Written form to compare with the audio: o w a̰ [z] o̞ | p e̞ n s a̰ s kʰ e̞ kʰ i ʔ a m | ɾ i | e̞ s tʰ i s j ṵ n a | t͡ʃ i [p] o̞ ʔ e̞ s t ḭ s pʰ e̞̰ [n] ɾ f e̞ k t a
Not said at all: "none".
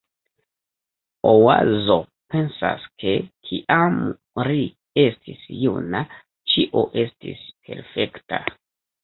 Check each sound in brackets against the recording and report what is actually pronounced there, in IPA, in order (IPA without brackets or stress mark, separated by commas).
z, ʔ, none